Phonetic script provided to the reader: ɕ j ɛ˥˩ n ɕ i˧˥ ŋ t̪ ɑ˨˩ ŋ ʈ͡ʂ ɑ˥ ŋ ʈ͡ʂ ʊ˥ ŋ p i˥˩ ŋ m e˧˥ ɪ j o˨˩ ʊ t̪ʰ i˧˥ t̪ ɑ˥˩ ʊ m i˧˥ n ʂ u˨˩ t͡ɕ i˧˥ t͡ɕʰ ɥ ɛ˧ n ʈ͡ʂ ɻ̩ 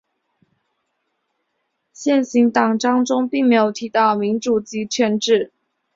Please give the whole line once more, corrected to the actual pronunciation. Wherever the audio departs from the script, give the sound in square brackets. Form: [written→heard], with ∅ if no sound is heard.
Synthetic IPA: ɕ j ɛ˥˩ n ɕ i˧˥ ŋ t̪ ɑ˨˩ ŋ ʈ͡ʂ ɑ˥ ŋ ʈ͡ʂ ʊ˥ ŋ p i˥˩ ŋ m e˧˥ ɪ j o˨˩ ʊ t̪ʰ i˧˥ t̪ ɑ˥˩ ʊ m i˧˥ n [ʂ→ʈ͡ʂ] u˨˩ t͡ɕ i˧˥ t͡ɕʰ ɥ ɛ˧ n ʈ͡ʂ ɻ̩

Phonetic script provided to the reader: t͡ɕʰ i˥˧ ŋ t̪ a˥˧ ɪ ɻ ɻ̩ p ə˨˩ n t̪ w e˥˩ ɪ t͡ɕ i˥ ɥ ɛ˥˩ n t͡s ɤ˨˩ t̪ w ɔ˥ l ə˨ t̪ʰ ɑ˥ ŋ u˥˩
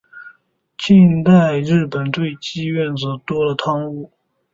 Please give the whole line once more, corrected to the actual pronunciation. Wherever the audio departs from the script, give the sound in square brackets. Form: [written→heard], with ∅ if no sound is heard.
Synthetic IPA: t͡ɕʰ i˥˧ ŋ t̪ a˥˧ ɪ ɻ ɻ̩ p ə˨˩ n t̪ w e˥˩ ɪ t͡ɕ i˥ ɥ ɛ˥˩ n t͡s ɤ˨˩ t̪ w ɔ˥ l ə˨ t̪ʰ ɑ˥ ŋ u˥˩

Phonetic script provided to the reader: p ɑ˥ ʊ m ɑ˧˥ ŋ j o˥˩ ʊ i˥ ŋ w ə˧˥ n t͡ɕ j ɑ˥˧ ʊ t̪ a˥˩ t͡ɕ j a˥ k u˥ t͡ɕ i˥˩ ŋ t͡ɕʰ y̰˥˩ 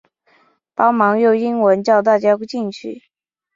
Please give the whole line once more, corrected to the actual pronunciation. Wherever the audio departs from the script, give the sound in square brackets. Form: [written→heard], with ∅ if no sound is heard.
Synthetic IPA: p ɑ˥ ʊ m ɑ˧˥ ŋ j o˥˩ ʊ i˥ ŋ w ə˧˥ n t͡ɕ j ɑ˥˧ ʊ t̪ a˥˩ t͡ɕ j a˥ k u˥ t͡ɕ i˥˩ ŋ t͡ɕʰ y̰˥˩

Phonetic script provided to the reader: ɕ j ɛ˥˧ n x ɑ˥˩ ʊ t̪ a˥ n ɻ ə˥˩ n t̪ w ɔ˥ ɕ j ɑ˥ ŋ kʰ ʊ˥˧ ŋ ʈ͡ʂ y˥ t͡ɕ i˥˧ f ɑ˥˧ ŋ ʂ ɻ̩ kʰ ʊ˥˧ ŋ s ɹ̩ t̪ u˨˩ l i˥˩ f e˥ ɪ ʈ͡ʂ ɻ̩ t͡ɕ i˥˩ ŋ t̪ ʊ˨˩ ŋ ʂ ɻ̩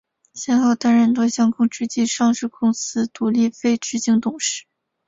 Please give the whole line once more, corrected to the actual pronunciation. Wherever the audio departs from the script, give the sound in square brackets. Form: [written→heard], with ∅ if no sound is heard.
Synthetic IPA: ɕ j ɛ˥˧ n x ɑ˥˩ ʊ t̪ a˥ n ɻ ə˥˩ n t̪ w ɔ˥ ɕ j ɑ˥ ŋ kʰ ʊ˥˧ ŋ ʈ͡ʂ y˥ t͡ɕ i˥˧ [f→ʂ] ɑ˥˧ ŋ ʂ ɻ̩ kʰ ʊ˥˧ ŋ s ɹ̩ t̪ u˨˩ l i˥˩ f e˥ ɪ ʈ͡ʂ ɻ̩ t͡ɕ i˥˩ ŋ t̪ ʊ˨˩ ŋ ʂ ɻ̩

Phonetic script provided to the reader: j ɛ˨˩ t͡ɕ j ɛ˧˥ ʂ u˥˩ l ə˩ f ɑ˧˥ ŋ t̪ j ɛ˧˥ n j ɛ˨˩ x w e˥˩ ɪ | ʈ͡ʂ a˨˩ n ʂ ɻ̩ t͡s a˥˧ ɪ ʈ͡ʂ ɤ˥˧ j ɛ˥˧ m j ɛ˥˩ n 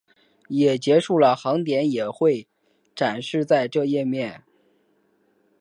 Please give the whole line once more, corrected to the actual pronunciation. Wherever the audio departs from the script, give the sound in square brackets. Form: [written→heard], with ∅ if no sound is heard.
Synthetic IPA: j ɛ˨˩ t͡ɕ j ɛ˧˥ ʂ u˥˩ l ə˩ [f→x] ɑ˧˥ ŋ t̪ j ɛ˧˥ n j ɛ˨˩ x w e˥˩ ɪ | ʈ͡ʂ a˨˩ n ʂ ɻ̩ t͡s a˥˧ ɪ ʈ͡ʂ ɤ˥˧ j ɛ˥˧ m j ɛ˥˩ n

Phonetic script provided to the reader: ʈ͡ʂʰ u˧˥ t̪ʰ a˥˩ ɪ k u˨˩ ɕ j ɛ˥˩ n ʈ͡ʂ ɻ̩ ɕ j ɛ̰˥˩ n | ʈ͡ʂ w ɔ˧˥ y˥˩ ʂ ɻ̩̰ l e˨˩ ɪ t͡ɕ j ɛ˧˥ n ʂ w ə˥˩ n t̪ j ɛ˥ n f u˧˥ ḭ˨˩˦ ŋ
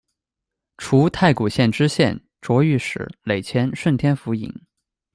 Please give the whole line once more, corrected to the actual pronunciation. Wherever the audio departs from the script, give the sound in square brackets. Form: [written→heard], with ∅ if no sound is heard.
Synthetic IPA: ʈ͡ʂʰ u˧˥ t̪ʰ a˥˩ ɪ k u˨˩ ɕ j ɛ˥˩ n ʈ͡ʂ ɻ̩ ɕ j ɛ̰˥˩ n | ʈ͡ʂ w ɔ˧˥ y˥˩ ʂ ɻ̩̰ l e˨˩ ɪ [t͡ɕ→t͡ɕʰ] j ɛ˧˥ n ʂ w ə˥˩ n [t̪→t̪ʰ] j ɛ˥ n f u˧˥ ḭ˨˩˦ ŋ

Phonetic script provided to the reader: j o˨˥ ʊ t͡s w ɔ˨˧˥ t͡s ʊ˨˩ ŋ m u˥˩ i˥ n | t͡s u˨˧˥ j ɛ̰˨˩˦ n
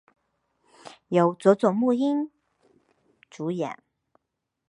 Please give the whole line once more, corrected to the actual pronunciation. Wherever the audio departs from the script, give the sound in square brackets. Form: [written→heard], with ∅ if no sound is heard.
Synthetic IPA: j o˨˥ ʊ t͡s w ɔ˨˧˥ t͡s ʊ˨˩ ŋ m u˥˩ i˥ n | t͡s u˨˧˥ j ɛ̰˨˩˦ n

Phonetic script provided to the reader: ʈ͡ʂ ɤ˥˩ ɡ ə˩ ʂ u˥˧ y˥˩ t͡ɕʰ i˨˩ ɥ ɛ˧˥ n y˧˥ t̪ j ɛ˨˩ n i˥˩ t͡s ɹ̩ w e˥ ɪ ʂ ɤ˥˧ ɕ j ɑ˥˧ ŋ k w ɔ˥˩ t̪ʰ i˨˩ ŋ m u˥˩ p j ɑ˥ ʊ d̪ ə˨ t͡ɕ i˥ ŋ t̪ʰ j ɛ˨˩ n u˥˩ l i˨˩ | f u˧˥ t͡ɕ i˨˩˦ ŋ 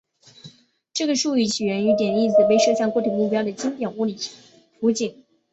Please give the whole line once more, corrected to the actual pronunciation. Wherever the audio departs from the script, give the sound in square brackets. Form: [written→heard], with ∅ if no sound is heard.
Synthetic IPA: ʈ͡ʂ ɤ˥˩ ɡ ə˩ ʂ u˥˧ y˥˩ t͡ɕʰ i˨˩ ɥ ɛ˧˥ n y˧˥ t̪ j ɛ˨˩ n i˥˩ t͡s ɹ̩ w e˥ ɪ ʂ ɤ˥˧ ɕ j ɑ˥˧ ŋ k w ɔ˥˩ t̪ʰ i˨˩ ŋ m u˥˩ p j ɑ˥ ʊ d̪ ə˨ t͡ɕ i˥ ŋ [t̪ʰ→t̪] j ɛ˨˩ n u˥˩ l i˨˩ | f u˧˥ t͡ɕ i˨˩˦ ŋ

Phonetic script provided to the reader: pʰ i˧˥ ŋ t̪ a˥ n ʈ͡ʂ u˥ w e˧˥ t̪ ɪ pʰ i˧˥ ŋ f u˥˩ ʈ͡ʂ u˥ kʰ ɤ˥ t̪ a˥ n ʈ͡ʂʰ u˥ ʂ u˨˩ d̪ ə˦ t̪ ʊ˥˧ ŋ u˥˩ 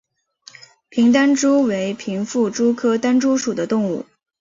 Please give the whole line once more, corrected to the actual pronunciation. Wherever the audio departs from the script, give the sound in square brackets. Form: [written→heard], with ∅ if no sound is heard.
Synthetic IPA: pʰ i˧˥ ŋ t̪ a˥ n ʈ͡ʂ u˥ w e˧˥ [t̪→∅] ɪ pʰ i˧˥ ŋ f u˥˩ ʈ͡ʂ u˥ kʰ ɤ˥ t̪ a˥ n [ʈ͡ʂʰ→ʈ͡ʂ] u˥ ʂ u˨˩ d̪ ə˦ t̪ ʊ˥˧ ŋ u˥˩

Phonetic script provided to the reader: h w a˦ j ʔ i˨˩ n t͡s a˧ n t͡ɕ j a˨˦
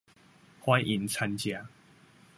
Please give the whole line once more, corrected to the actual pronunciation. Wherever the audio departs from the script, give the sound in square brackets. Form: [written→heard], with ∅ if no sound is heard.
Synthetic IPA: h w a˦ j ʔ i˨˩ n [t͡s→t͡sʰ] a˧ n t͡ɕ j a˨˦

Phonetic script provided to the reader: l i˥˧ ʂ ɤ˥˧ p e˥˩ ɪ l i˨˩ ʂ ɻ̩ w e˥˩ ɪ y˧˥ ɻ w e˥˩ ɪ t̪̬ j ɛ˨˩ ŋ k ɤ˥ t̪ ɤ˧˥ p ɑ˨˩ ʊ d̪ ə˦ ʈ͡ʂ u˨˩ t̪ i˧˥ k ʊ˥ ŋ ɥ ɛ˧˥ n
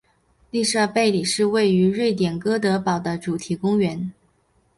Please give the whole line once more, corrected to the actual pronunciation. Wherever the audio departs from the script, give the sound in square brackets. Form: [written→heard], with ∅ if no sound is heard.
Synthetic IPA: l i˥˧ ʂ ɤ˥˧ p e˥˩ ɪ l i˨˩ ʂ ɻ̩ w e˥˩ ɪ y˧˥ ɻ w e˥˩ ɪ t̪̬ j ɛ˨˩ [ŋ→n] k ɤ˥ t̪ ɤ˧˥ p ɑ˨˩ ʊ d̪ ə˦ ʈ͡ʂ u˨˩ [t̪→t̪ʰ] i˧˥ k ʊ˥ ŋ ɥ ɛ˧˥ n

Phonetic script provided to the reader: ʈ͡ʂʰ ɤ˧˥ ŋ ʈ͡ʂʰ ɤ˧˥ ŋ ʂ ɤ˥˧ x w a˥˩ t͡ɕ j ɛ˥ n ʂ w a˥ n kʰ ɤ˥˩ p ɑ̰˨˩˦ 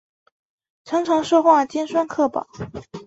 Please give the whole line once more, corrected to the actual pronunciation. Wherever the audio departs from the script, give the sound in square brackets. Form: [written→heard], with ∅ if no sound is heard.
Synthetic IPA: ʈ͡ʂʰ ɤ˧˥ ŋ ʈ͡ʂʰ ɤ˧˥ ŋ ʂ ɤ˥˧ x w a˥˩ t͡ɕ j ɛ˥ n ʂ w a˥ n kʰ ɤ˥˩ p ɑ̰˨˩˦

